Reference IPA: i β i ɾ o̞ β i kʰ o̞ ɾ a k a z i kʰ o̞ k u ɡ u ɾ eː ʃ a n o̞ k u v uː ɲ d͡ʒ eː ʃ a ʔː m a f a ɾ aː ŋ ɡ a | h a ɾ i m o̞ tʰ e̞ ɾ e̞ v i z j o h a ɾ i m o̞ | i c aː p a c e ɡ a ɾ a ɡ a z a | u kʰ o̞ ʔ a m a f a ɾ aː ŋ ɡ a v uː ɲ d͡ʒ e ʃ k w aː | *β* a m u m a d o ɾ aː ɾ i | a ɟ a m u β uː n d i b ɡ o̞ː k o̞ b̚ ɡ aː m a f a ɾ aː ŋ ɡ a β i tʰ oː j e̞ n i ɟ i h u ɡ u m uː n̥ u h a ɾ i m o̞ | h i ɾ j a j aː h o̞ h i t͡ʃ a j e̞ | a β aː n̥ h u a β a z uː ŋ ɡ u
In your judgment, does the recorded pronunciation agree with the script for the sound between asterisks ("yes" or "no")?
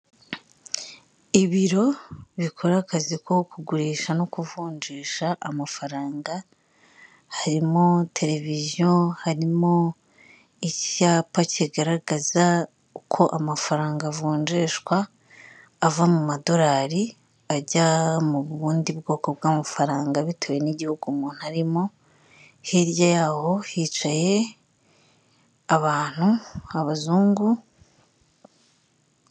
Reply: no